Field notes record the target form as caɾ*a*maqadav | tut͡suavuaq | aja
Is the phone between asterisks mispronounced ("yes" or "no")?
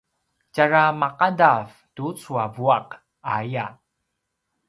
no